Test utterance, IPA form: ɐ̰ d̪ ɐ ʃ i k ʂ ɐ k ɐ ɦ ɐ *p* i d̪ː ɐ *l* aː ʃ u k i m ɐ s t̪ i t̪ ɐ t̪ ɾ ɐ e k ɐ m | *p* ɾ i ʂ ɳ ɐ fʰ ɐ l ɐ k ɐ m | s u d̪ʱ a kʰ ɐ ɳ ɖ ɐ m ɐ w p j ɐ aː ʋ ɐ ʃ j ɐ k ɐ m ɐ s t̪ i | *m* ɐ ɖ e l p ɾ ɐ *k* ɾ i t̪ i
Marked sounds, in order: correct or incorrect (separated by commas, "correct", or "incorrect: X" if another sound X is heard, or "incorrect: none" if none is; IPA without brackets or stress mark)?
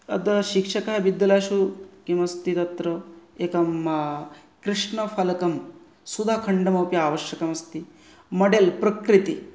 incorrect: b, correct, incorrect: k, correct, correct